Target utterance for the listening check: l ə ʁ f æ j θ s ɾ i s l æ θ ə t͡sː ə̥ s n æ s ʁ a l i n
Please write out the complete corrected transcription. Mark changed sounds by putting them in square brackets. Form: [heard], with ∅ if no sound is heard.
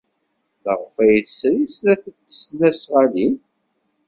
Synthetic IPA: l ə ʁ f æ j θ s ɾ i s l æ θ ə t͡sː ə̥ s n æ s ʁ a l i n